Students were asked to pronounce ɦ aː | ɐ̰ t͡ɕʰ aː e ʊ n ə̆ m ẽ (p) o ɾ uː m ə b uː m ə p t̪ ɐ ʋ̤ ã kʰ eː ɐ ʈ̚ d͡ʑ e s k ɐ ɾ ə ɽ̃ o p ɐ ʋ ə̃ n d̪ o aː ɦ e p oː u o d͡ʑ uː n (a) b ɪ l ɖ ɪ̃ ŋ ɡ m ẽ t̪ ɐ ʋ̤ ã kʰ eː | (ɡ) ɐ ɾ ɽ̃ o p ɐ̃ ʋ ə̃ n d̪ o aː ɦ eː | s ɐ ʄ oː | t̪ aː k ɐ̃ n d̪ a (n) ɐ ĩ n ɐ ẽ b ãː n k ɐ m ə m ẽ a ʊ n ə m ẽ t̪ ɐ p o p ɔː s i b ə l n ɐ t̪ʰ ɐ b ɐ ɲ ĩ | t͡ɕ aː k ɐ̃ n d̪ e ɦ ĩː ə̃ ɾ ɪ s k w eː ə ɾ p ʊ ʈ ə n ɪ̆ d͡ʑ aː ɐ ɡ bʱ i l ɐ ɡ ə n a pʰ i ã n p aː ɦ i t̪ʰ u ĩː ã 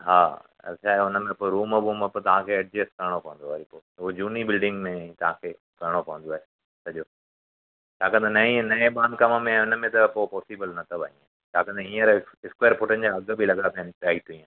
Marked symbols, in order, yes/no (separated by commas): yes, no, no, yes